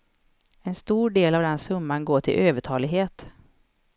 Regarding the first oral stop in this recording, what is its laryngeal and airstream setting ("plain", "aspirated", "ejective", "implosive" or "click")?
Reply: plain